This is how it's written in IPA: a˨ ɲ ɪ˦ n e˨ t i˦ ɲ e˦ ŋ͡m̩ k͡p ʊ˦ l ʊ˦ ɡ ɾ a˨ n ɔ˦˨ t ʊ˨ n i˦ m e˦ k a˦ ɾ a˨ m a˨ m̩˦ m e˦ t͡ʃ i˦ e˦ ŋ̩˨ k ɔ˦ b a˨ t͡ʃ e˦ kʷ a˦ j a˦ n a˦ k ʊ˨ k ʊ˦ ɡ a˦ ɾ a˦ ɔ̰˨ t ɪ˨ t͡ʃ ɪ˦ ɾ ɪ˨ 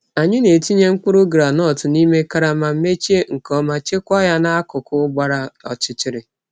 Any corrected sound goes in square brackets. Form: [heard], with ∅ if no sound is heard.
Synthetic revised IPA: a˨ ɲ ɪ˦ n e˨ t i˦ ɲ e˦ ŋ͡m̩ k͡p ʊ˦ [ɾ] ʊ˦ ɡ ɾ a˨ n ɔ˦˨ t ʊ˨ n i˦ m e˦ k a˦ ɾ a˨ m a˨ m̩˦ m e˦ t͡ʃ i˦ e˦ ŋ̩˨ k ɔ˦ [m] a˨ t͡ʃ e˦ kʷ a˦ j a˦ n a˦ k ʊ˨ k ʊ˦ [ɡ͡b] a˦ ɾ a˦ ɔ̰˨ [t͡ʃ] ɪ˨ t͡ʃ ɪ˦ ɾ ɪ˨